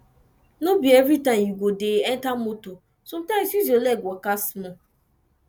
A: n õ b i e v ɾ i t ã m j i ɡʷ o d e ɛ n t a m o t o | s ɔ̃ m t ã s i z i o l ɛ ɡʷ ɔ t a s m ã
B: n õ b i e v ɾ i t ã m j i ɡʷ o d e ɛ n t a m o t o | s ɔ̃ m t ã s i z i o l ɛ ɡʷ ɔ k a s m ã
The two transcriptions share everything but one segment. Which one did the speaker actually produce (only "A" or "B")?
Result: B